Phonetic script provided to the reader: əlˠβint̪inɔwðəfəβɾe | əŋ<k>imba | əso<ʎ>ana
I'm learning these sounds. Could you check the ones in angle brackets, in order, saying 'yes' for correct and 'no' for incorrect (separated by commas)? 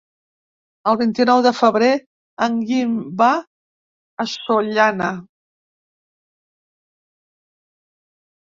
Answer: no, yes